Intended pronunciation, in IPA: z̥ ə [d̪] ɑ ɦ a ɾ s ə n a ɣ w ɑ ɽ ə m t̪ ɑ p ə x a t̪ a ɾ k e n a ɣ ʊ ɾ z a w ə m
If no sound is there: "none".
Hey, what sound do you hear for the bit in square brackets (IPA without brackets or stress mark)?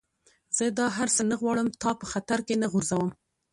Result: d̪